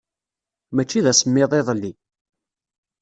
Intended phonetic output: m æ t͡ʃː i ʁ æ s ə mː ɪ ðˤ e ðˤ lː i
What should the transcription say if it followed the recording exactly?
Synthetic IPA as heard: m æ t͡ʃː i ð æ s ə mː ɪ ðˤ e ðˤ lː i